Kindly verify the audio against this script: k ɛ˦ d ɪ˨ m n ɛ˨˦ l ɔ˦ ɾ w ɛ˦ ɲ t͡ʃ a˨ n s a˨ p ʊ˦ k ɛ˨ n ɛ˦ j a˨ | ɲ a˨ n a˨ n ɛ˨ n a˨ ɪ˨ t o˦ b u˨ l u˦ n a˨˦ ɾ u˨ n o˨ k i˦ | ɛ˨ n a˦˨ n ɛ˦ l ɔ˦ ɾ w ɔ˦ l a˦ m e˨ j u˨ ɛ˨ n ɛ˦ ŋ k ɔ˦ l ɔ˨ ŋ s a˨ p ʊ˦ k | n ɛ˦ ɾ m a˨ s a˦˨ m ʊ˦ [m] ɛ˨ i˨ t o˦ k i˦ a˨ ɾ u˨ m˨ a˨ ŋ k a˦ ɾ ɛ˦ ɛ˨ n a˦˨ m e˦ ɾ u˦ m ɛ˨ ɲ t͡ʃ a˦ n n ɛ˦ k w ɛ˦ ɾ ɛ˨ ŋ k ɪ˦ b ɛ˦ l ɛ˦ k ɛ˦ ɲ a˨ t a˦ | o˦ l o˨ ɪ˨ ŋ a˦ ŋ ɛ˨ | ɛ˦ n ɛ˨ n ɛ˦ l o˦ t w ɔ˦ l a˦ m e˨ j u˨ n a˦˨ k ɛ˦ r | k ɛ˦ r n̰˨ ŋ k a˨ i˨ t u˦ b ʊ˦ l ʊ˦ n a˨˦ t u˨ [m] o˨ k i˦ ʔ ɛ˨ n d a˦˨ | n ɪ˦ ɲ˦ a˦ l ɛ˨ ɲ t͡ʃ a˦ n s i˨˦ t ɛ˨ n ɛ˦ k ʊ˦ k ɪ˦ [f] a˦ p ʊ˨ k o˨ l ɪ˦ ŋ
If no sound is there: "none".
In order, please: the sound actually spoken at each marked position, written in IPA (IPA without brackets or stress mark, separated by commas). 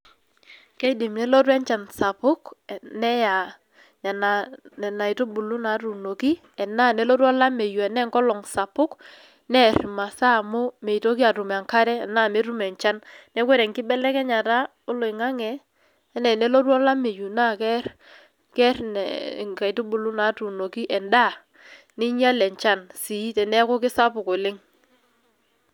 m, n, s